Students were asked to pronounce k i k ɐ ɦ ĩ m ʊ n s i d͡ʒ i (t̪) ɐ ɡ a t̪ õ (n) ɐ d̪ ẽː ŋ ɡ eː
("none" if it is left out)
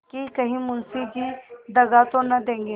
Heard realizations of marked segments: d̪, n

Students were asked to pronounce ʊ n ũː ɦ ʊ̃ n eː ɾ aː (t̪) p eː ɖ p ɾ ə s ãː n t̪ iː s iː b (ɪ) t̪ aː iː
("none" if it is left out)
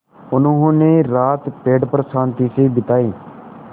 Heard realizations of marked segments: t̪, ɪ

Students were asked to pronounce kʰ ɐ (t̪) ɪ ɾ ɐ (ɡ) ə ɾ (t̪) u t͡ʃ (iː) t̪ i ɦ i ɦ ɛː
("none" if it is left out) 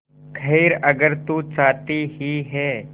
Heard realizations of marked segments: none, ɡ, t̪, aː

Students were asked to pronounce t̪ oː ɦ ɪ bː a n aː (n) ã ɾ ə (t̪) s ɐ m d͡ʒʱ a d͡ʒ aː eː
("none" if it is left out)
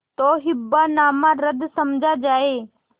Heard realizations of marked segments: m, d̪

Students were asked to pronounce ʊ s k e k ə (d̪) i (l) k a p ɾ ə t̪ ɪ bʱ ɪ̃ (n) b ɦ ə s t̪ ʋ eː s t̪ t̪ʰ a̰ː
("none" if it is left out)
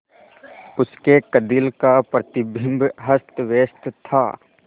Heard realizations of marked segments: d̪, l, m

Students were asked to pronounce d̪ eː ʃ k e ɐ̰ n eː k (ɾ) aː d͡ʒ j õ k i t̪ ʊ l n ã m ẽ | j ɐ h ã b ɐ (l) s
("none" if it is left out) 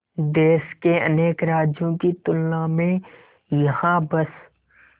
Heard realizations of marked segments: ɾ, none

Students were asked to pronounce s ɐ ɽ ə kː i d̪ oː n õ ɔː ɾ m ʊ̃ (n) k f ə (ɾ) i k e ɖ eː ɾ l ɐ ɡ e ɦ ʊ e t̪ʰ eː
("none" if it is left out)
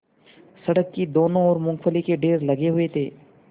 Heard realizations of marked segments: ŋ, l

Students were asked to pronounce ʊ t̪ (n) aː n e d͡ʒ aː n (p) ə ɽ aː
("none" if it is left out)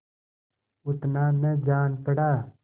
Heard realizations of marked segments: n, p

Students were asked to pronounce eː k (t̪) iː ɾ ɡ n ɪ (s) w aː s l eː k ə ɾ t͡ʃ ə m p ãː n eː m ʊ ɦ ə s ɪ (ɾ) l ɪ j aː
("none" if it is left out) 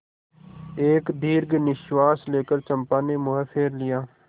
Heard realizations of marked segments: d̪, ʃ, ɾ

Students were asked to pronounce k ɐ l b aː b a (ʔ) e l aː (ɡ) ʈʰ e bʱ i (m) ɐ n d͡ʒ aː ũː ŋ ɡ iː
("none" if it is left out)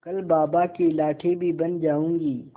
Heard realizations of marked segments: k, none, b

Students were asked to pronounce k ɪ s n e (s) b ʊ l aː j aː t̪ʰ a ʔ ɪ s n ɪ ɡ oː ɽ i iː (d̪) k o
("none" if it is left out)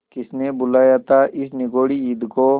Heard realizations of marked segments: none, d̪

